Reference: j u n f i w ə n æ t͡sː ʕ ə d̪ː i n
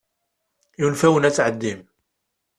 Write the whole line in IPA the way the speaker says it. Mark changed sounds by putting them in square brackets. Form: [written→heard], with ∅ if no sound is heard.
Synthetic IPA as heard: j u n f [i→æ] w ə n æ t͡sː ʕ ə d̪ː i [n→m]